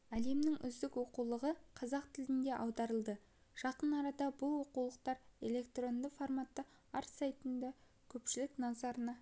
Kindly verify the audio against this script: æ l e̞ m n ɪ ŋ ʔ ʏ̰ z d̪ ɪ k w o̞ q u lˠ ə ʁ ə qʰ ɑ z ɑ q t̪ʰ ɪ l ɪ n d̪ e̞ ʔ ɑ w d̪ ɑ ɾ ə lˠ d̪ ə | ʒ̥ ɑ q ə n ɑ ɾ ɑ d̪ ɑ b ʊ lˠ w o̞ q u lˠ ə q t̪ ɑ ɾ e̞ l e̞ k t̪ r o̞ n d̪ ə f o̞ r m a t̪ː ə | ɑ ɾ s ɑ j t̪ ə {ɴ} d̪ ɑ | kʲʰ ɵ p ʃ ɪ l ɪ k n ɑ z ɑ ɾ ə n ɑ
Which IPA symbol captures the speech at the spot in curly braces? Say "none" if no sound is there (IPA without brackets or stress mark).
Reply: n